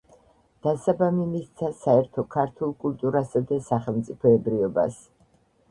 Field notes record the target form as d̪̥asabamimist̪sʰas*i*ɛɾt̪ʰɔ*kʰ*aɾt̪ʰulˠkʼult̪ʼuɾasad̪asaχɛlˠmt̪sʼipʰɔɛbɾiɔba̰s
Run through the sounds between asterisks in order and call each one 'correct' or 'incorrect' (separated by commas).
incorrect, correct